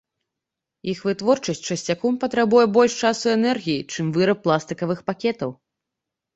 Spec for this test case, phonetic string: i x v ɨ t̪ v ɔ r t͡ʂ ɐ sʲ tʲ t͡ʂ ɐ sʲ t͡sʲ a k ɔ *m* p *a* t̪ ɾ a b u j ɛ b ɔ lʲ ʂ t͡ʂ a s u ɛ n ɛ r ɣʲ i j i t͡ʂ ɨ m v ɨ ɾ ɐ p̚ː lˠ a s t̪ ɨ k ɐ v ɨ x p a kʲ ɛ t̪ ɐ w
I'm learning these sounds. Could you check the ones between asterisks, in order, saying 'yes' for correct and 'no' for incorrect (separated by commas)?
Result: yes, no